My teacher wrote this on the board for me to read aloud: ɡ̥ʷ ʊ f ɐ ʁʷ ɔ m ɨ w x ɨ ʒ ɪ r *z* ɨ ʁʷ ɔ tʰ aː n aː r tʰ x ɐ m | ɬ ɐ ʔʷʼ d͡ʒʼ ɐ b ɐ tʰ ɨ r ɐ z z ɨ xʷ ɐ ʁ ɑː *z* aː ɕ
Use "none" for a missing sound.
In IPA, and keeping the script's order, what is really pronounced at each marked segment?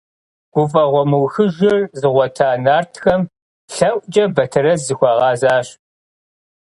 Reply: z, z

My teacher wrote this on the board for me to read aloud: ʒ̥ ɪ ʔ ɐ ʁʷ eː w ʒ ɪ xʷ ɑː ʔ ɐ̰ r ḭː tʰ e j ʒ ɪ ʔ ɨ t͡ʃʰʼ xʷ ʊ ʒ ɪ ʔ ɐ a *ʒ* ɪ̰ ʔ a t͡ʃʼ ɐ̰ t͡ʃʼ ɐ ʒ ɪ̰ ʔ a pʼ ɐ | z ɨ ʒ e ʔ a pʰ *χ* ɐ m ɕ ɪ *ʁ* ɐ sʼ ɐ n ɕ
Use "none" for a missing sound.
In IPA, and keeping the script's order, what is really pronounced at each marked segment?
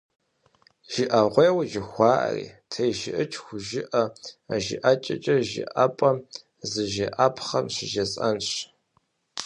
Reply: ʒ, χ, ʒ

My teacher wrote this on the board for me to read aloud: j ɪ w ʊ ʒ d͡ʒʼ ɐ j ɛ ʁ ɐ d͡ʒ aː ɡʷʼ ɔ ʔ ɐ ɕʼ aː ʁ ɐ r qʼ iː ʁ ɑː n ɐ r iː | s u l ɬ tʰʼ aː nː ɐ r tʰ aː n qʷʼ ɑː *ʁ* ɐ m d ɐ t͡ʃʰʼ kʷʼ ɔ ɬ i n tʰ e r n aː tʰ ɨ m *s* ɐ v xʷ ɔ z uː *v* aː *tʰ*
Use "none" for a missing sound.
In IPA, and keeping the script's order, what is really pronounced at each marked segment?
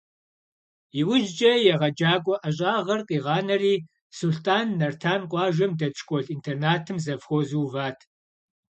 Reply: ʒ, z, v, tʰ

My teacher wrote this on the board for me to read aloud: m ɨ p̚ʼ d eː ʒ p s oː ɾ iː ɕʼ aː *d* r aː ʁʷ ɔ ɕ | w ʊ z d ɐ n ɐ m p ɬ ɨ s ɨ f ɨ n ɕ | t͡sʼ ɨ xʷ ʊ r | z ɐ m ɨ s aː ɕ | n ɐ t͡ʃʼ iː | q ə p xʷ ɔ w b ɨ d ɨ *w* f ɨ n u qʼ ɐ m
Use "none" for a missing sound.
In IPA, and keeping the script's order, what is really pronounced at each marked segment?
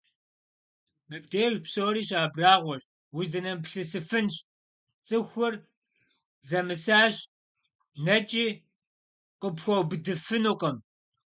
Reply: b, none

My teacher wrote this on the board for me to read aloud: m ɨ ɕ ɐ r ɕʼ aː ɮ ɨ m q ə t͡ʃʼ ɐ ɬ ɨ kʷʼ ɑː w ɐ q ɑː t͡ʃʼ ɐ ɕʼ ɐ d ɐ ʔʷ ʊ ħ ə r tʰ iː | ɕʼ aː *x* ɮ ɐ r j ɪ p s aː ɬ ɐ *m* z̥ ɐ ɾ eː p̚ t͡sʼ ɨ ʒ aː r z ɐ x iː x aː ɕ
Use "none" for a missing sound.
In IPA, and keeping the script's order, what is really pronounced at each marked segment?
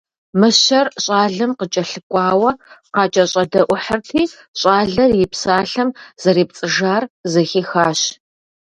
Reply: none, m

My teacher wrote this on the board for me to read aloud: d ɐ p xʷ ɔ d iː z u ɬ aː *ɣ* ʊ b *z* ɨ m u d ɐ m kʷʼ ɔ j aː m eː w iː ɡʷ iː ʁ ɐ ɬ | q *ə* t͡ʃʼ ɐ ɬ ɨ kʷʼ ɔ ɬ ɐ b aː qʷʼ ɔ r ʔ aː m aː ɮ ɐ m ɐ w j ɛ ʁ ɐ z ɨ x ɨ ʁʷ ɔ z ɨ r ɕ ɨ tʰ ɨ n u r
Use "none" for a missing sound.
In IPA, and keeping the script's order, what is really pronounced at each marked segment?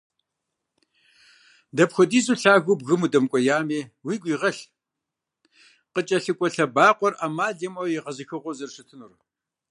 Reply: ɣ, ɣ, ə

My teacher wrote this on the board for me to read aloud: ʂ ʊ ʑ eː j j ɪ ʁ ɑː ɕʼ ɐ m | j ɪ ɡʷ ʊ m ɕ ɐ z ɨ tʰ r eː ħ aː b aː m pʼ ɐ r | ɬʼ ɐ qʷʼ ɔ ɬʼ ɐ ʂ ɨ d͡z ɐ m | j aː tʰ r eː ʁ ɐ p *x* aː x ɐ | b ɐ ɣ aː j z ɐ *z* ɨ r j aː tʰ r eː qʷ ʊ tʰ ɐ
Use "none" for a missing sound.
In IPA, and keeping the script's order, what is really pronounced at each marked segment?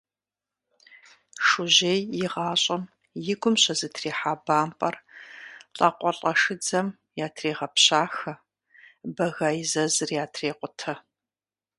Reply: ɕ, z

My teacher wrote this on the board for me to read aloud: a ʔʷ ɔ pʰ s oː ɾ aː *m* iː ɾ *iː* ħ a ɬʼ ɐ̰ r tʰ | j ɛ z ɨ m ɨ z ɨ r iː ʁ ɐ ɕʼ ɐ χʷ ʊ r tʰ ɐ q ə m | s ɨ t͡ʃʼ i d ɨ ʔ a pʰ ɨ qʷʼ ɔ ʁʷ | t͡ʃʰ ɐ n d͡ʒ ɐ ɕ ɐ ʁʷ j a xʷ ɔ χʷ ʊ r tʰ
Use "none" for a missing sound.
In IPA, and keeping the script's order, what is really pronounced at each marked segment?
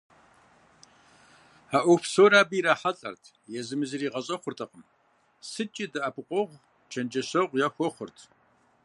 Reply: b, aː

